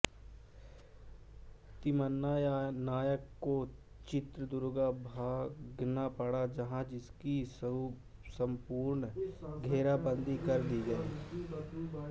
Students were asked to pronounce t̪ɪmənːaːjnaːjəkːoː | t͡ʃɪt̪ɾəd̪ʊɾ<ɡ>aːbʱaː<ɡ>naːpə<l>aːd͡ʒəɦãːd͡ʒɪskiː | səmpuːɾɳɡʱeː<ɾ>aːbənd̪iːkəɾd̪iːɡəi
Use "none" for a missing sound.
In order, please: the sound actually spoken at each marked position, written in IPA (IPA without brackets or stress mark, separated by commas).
ɡ, ɡ, ɽ, ɾ